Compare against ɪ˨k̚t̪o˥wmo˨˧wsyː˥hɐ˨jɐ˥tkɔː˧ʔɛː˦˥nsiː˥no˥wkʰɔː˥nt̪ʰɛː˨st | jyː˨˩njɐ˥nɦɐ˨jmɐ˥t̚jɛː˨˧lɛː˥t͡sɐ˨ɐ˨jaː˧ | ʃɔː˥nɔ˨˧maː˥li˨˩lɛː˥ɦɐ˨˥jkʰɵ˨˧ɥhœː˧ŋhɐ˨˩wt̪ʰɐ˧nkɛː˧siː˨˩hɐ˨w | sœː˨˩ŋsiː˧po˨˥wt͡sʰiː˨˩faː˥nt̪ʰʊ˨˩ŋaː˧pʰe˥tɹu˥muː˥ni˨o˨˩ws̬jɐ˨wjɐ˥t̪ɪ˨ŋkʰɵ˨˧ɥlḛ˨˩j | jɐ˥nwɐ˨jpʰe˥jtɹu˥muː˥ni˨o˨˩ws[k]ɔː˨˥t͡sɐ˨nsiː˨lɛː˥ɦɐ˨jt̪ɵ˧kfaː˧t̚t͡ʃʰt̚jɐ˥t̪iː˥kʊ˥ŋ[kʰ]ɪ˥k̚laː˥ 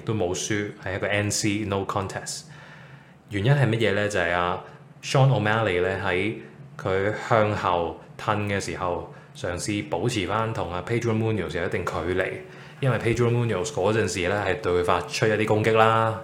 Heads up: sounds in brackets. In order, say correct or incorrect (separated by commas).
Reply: correct, incorrect